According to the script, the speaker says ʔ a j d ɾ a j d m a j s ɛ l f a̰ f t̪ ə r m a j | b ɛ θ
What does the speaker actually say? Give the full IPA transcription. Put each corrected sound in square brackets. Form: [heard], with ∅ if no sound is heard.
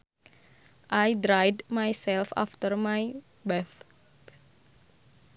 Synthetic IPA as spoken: ʔ a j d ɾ a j d m a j s ɛ l f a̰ f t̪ ə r m a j | b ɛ θ